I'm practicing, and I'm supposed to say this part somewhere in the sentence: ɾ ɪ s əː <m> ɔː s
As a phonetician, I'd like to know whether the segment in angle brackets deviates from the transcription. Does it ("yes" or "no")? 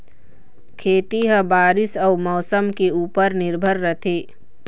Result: no